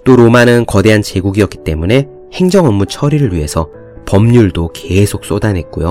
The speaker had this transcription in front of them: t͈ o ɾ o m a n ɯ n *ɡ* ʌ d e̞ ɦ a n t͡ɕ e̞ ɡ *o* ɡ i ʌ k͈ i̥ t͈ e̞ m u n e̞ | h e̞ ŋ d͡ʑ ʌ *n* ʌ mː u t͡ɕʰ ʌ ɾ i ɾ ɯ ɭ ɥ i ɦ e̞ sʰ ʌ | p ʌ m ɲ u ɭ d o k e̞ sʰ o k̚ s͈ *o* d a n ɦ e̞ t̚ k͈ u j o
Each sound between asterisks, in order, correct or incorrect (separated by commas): incorrect, incorrect, incorrect, correct